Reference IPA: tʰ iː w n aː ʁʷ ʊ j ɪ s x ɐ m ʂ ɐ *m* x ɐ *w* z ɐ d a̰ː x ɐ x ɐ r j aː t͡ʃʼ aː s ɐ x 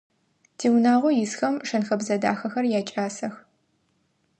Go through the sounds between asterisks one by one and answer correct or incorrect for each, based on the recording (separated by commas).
incorrect, incorrect